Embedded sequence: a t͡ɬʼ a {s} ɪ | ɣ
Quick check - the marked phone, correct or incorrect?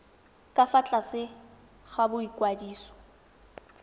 correct